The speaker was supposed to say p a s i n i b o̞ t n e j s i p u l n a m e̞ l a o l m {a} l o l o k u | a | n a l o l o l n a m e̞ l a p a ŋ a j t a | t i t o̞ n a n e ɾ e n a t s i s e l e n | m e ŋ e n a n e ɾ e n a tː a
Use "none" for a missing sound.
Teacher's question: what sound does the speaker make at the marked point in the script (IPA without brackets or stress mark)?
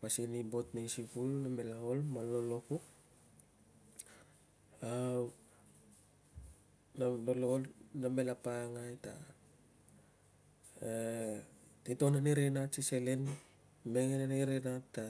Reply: a